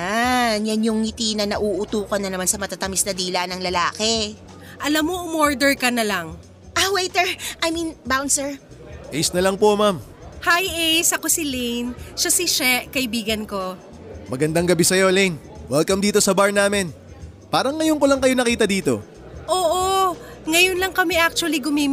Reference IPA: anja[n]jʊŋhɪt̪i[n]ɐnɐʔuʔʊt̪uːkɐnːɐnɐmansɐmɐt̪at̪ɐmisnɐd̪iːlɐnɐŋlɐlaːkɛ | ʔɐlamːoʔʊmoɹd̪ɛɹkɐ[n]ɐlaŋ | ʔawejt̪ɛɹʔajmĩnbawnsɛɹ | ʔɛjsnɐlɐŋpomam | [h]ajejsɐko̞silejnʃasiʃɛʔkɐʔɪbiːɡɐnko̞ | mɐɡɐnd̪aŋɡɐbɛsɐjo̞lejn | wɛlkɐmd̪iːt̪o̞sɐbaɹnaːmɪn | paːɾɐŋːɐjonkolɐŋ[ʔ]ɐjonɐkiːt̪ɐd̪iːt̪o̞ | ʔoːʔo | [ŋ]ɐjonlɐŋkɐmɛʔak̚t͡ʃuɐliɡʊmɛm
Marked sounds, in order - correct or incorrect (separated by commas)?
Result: correct, correct, correct, correct, incorrect, correct